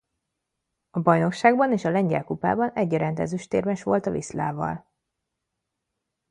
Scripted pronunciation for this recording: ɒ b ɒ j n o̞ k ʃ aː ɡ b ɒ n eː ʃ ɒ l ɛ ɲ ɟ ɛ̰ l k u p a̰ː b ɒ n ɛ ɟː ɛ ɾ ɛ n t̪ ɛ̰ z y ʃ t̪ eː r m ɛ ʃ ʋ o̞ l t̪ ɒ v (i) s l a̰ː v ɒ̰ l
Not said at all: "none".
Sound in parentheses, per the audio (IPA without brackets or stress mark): i